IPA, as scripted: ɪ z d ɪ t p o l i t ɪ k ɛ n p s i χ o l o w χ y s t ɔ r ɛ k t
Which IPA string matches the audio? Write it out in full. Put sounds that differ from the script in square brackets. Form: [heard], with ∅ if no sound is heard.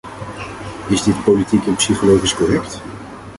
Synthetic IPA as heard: ɪ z d ɪ t p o l i t [i] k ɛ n p s i χ o l o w χ [i] s [k] ɔ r ɛ k t